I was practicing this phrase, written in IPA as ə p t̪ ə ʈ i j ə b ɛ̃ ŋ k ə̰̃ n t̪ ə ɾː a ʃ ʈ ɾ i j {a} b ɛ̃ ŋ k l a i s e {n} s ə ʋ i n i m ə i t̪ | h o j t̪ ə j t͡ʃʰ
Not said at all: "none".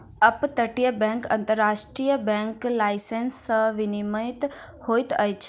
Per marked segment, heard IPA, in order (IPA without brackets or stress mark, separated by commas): ə, n